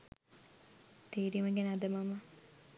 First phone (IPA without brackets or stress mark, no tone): t̪